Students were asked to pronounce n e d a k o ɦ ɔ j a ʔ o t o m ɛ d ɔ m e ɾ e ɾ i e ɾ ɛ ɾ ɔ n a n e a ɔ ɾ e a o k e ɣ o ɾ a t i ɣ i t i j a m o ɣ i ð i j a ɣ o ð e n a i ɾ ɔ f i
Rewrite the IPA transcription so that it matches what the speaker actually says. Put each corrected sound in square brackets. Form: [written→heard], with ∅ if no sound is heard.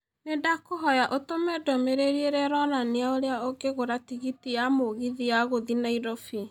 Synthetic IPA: n e d a k o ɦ ɔ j a ʔ o t o m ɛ d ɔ m e ɾ e ɾ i e ɾ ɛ ɾ ɔ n a n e a [ɔ→o] ɾ e a o [k→ɡ] e ɣ o ɾ a t i ɣ i t i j a m o ɣ i ð i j a ɣ o ð [e→i] n a i ɾ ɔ f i